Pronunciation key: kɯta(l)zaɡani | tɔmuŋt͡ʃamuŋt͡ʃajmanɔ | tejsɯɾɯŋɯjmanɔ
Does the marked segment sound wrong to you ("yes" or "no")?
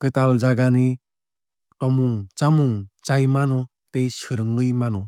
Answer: no